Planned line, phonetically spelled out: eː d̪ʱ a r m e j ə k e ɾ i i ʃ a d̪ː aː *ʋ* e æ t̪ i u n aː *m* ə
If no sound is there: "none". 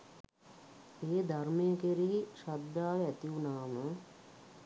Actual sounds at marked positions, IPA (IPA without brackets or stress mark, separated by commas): ʋ, m